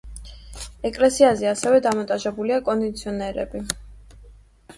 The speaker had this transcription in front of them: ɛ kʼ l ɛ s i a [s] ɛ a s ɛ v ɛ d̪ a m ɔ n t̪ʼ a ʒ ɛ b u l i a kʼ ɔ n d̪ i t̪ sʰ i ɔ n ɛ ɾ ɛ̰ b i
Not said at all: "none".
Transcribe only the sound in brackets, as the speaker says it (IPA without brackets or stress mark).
z